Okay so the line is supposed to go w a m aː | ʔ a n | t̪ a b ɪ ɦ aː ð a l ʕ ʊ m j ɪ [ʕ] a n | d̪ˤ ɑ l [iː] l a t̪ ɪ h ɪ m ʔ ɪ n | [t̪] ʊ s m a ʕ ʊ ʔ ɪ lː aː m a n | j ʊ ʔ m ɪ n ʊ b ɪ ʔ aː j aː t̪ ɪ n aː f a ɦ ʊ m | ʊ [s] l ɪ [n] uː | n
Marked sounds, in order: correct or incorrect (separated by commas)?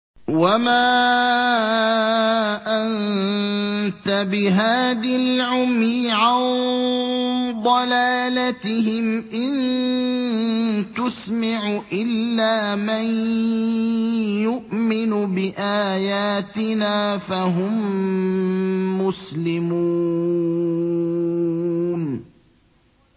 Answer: correct, incorrect, correct, correct, incorrect